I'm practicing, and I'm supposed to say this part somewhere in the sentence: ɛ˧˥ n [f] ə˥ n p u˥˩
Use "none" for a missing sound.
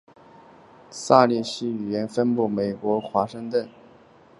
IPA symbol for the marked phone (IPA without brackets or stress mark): f